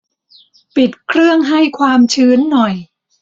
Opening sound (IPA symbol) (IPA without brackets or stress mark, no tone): p